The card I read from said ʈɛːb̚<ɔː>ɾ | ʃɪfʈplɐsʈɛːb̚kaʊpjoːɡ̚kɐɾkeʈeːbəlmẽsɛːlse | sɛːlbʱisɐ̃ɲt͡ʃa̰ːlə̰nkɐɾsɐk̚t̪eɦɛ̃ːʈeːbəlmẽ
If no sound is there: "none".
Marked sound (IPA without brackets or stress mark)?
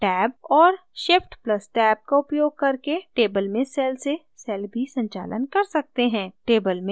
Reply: ɔː